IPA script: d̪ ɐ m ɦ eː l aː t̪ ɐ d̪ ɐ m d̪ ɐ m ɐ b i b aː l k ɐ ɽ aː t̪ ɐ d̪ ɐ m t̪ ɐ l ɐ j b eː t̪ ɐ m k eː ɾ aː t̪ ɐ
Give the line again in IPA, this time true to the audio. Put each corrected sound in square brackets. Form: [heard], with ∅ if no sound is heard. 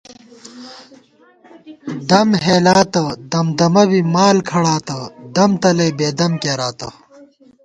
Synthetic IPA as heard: d̪ ɐ m ɦ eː l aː t̪ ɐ d̪ ɐ m d̪ ɐ m ɐ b i [m] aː l [kʰ] ɐ ɽ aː t̪ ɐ d̪ ɐ m t̪ ɐ l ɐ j b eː [d̪] ɐ m k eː ɾ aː t̪ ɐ